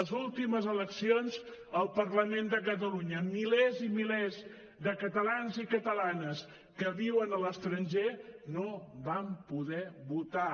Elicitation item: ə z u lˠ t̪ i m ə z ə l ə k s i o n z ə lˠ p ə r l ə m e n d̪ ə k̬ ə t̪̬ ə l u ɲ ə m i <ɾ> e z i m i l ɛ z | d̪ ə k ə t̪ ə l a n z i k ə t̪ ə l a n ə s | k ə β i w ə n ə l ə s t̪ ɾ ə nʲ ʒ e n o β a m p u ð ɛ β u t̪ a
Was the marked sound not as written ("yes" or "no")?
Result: yes